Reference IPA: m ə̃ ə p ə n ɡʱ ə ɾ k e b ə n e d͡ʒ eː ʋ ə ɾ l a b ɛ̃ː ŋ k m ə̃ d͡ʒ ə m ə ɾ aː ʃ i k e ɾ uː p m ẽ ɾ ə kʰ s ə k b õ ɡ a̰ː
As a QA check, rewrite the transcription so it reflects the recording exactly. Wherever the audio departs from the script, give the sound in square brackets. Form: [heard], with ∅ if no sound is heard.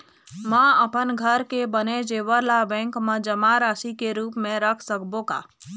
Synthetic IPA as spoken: m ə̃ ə p ə n ɡʱ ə ɾ k e b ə n e d͡ʒ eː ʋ ə ɾ l a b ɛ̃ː ŋ k m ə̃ d͡ʒ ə m [a] ɾ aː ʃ i k e ɾ uː p m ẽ ɾ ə kʰ s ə k b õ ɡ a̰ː